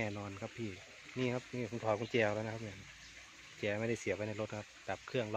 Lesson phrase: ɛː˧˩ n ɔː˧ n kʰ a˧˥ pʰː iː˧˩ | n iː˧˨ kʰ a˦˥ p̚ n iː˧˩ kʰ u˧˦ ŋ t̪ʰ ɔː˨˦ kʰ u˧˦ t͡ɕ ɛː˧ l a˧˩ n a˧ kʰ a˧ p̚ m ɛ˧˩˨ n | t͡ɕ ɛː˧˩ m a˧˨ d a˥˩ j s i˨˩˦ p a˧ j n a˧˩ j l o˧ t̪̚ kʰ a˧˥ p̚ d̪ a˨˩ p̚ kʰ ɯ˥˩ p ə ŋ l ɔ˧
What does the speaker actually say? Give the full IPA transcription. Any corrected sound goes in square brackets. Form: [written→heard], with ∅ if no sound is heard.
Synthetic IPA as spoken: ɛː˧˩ n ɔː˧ n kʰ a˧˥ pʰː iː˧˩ | n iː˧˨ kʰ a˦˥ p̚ n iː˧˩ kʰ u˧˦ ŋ t̪ʰ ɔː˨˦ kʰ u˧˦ t͡ɕ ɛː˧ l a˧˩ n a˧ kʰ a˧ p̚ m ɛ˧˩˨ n | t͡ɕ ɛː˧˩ m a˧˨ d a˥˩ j s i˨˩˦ p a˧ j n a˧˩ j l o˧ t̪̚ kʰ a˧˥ p̚ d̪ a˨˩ p̚ kʰ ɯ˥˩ [p→∅] ə ŋ l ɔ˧